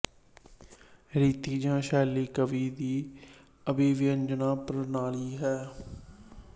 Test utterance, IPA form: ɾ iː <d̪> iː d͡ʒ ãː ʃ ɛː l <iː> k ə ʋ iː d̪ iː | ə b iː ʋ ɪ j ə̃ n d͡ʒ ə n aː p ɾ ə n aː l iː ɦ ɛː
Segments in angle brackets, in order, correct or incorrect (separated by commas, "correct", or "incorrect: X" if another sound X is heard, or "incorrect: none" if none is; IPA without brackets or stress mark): incorrect: t̪, correct